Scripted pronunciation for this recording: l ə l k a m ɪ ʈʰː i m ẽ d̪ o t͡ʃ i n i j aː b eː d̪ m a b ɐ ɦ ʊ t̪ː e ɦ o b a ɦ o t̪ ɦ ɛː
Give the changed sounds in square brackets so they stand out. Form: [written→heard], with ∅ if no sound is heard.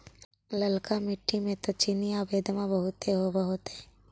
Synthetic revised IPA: l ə l k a m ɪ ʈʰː i m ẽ [d̪→t̪] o t͡ʃ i n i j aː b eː d̪ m a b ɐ ɦ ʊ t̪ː e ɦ o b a ɦ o t̪ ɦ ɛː

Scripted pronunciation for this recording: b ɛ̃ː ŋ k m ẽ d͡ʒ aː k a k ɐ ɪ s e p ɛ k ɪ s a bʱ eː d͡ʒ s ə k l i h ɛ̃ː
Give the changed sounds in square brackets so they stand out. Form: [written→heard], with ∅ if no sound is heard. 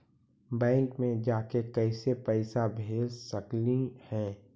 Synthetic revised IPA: b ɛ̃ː ŋ k m ẽ d͡ʒ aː k [a→e] k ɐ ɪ s e p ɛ [k→∅] ɪ s a bʱ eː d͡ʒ s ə k l i h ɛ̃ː

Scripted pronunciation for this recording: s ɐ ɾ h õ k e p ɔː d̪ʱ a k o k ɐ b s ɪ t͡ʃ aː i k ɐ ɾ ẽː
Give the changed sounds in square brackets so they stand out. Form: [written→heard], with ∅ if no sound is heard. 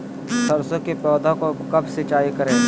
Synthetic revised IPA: s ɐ ɾ [h→s] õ k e p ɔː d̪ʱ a k o k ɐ b s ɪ t͡ʃ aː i k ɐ ɾ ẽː

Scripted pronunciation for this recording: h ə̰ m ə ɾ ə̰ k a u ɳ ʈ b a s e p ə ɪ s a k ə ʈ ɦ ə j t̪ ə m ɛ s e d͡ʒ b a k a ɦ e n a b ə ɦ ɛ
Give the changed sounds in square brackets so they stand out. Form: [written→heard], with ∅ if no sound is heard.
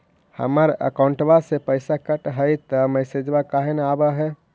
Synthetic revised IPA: h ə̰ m ə ɾ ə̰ k a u ɳ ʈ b a s e p ə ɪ s a k ə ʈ ɦ ə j t̪ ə m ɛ s e d͡ʒ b a k a ɦ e n a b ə ɦ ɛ

